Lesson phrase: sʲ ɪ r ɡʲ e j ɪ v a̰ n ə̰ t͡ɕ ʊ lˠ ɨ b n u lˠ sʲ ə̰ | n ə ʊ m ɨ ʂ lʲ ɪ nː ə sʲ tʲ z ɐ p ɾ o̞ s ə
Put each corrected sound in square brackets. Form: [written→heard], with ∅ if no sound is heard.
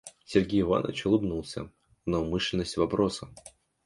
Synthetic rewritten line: sʲ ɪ r ɡʲ e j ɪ v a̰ n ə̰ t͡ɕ ʊ lˠ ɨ b n u lˠ sʲ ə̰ | n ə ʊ m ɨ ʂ lʲ ɪ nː ə sʲ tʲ [z→v] ɐ p ɾ o̞ s ə